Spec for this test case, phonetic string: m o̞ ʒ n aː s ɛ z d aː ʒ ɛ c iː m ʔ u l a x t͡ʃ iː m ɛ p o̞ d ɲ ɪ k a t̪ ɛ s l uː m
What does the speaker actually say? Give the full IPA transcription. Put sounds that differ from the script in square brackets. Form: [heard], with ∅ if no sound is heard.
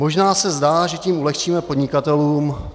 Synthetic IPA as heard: m o̞ ʒ n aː s ɛ z d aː ʒ ɛ c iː m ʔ u l [ɛ] x t͡ʃ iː m ɛ p o̞ d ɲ ɪ k a t̪ ɛ [∅] l uː m